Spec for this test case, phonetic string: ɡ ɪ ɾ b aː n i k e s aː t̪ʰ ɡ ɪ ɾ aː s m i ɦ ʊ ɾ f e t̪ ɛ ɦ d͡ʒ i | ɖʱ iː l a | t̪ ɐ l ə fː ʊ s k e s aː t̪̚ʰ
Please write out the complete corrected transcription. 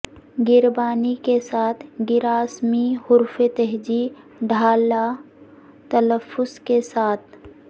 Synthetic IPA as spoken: ɡ ɪ ɾ b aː n i k e s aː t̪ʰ ɡ ɪ ɾ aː s m i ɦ ʊ ɾ f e t̪ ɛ ɦ d͡ʒ i | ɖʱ aː l a | t̪ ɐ l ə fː ʊ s k e s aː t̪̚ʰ